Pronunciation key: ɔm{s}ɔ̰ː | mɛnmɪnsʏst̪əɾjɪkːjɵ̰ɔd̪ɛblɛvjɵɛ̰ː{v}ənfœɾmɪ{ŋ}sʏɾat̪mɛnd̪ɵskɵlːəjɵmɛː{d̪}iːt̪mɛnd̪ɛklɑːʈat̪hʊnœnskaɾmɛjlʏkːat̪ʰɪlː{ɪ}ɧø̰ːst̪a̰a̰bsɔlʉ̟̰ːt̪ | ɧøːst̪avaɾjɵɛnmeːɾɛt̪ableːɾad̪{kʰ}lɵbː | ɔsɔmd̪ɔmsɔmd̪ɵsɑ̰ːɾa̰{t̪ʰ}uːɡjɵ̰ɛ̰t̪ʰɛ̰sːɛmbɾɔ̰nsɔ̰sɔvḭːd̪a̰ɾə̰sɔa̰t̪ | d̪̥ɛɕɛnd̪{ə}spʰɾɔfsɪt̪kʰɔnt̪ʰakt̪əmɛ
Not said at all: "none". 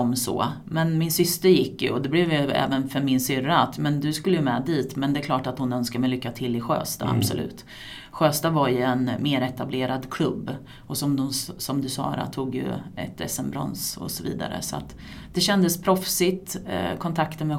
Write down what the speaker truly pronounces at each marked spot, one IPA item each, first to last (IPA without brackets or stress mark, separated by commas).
s, v, n, d̪, ɪ, kʰ, t̪ʰ, ə